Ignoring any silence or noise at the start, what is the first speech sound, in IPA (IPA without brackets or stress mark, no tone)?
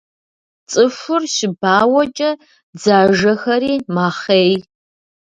t͡sʼ